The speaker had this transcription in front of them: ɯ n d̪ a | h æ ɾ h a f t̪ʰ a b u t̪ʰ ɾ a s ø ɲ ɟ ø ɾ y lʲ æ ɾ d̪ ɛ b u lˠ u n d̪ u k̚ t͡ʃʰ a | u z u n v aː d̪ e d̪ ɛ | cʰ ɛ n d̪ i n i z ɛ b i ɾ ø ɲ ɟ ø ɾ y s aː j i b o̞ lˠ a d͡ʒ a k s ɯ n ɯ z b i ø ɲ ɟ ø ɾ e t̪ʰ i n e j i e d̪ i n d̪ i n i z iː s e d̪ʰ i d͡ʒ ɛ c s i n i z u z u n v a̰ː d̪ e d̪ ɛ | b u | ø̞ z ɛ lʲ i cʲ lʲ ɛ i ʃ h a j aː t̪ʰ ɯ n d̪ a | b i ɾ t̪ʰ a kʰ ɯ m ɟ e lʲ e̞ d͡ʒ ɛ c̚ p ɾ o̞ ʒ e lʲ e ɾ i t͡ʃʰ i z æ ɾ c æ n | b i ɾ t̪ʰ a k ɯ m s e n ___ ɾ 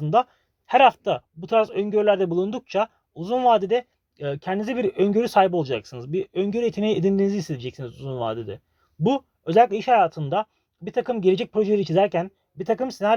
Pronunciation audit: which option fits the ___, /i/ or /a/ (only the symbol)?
a